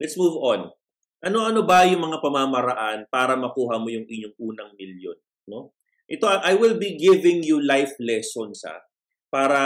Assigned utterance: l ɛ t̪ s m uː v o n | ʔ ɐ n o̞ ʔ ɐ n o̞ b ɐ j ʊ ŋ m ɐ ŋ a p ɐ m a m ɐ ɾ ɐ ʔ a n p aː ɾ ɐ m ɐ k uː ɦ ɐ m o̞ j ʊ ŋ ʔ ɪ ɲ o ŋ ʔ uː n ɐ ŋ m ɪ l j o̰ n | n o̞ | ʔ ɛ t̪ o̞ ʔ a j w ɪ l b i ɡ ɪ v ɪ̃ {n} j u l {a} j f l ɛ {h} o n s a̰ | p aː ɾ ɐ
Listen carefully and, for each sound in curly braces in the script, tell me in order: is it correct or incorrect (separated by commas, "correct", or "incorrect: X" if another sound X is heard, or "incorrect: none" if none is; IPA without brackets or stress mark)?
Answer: incorrect: ŋ, correct, incorrect: s